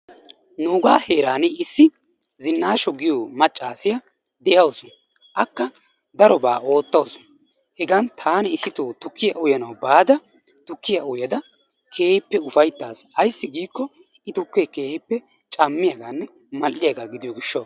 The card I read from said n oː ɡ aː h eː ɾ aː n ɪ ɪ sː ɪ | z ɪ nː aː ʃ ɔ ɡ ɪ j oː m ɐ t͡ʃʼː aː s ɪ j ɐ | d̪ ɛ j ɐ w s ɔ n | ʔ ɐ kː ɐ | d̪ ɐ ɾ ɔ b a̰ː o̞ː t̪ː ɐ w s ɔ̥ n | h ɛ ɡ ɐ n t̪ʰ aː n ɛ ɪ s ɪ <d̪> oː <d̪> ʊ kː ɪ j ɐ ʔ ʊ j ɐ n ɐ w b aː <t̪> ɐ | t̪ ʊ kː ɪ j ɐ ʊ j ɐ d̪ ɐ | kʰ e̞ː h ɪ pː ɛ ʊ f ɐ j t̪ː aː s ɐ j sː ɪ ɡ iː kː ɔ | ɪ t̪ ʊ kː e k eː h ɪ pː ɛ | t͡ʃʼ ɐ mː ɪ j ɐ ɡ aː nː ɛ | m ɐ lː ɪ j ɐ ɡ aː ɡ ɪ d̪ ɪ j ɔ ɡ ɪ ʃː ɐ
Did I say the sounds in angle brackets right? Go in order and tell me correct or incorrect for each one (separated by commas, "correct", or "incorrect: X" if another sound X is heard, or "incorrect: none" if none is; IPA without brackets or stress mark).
incorrect: t̪, incorrect: t̪, incorrect: d̪